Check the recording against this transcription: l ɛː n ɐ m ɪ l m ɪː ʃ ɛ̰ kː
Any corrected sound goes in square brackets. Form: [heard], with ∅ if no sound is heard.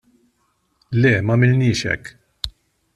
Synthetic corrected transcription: l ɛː [m] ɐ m ɪ l [n] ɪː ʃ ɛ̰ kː